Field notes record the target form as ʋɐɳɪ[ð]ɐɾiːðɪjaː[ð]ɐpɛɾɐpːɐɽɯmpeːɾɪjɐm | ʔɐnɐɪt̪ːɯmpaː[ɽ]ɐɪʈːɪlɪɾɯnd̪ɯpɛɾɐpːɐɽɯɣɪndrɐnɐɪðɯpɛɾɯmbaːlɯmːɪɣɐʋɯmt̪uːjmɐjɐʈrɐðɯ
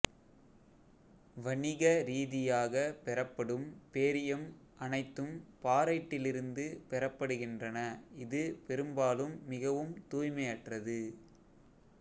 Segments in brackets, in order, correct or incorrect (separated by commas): incorrect, incorrect, incorrect